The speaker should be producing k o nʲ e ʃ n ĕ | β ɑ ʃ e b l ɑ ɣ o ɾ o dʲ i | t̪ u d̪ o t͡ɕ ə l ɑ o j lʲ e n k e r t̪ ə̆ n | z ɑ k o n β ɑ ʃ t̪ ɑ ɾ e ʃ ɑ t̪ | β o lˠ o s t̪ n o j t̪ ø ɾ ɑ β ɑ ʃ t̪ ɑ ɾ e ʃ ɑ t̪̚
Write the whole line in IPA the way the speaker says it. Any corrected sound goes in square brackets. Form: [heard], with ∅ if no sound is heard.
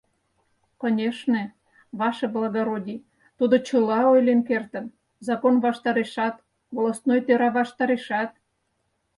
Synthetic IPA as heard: k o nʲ e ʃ n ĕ | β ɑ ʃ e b l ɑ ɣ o ɾ o dʲ i | t̪ u d̪ o t͡ɕ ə l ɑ o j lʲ e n k e r t̪ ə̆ n | z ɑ k o n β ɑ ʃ t̪ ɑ ɾ e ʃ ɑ t̪ | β o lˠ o s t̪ n o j t̪ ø ɾ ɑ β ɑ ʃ t̪ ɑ ɾ e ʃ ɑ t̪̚